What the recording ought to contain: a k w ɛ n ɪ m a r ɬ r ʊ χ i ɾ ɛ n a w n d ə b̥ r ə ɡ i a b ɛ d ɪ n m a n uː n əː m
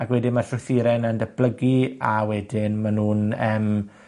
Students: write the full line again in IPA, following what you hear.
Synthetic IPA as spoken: a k w ɛ d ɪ m a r ɬ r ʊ θ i ɾ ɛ n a n d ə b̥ l ə ɡ i a w ɛ d ɪ n m a n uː n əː m